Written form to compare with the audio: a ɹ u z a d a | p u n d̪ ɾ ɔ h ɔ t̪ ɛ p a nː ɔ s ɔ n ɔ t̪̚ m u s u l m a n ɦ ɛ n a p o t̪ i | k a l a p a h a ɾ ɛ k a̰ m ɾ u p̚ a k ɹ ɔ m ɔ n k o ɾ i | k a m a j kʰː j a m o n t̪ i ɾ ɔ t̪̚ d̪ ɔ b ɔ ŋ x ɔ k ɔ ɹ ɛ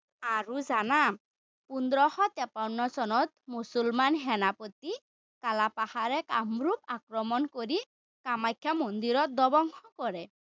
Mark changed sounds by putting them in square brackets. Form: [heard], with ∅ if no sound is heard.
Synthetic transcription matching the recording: a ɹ u z a [n] a | p u n d̪ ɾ ɔ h ɔ t̪ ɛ p a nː ɔ s ɔ n ɔ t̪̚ m u s u l m a n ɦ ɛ n a p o t̪ i | k a l a p a h a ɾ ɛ k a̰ m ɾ u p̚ a k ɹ ɔ m ɔ n k o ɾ i | k a m a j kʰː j a m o n [d̪] i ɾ ɔ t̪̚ d̪ ɔ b ɔ ŋ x ɔ k ɔ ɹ ɛ